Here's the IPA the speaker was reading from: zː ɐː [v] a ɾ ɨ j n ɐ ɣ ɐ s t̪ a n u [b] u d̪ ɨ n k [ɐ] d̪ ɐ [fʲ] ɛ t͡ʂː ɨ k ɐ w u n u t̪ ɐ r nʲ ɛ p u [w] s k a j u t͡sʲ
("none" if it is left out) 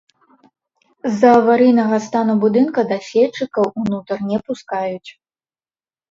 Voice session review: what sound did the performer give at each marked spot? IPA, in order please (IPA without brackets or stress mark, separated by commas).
v, b, ɐ, sʲ, none